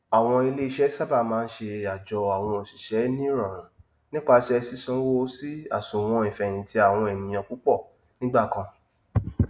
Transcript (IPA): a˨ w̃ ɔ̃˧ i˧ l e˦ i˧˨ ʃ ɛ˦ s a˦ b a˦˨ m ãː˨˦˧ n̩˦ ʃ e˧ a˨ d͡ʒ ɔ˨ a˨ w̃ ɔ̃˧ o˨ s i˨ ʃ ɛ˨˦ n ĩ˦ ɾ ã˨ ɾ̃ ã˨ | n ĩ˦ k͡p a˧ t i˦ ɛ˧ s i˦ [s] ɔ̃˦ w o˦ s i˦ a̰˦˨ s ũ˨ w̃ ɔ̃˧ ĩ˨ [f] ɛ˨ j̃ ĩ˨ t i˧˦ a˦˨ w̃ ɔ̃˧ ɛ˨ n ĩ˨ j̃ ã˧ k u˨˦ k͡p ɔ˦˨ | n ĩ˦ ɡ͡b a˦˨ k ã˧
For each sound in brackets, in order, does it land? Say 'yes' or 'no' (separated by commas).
yes, yes